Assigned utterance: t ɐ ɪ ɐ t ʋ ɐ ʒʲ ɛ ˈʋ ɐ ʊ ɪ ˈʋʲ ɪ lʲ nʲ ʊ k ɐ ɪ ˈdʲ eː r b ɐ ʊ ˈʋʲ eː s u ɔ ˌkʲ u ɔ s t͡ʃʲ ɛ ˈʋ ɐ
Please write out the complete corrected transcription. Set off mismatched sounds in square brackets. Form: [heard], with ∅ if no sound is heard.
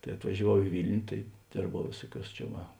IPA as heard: t ɐ ɪ ɐ t ʋ ɐ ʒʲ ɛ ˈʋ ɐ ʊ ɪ ˈʋʲ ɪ lʲ nʲ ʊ [t] ɐ ɪ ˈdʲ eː r b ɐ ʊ ˈʋʲ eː s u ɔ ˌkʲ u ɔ s t͡ʃʲ ɛ ˈʋ ɐ